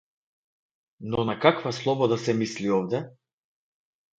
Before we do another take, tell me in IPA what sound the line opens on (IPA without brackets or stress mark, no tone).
n